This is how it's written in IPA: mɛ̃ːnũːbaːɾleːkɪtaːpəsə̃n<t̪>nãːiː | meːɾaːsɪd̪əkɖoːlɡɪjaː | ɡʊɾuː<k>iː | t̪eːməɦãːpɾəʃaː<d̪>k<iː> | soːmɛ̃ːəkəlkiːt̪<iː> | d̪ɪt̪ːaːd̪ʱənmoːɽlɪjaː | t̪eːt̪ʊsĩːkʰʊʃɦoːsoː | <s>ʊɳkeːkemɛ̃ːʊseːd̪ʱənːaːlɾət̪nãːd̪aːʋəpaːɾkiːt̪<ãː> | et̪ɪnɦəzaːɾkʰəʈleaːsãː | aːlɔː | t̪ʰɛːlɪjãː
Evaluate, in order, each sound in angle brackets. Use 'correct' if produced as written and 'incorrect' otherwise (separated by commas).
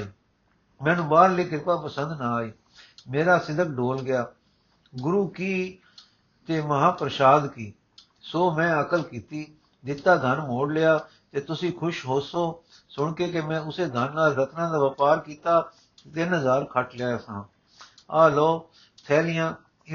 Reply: incorrect, correct, correct, correct, correct, correct, incorrect